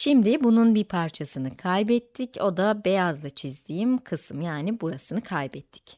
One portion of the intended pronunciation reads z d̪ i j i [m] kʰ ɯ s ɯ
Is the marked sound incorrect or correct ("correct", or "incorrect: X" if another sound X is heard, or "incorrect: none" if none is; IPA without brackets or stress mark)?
correct